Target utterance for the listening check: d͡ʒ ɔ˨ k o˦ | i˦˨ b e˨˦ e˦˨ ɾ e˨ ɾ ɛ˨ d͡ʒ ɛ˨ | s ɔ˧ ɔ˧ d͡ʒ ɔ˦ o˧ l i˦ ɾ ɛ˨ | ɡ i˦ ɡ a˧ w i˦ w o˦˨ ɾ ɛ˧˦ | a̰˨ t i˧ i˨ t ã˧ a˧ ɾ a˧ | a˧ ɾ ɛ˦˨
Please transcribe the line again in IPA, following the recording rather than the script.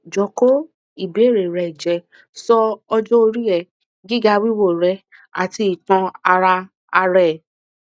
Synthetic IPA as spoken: d͡ʒ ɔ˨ k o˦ | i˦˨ b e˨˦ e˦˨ ɾ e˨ ɾ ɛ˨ d͡ʒ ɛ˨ | s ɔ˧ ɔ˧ d͡ʒ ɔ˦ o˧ ɾ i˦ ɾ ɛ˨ | ɡ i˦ ɡ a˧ w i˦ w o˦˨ ɾ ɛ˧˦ | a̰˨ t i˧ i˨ t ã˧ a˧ ɾ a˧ | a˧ ɾ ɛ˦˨